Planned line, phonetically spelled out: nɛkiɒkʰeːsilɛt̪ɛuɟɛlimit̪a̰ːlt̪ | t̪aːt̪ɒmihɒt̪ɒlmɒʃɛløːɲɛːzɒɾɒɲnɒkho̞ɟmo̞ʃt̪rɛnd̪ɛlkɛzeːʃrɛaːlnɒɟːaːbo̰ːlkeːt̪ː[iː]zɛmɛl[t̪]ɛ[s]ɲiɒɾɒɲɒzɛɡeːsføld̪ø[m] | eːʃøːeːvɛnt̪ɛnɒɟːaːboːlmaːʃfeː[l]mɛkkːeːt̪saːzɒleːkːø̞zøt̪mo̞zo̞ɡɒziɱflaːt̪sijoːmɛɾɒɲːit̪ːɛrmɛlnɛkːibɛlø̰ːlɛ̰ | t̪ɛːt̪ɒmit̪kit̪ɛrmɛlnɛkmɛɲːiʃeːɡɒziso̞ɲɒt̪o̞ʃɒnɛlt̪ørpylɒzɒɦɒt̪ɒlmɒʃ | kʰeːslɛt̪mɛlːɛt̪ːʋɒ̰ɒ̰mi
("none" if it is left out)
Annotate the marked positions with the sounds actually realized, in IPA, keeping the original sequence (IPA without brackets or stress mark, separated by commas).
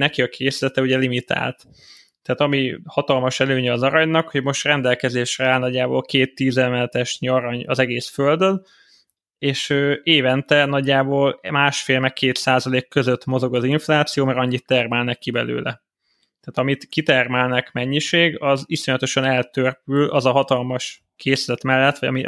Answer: iː, t̪, ʃ, n, l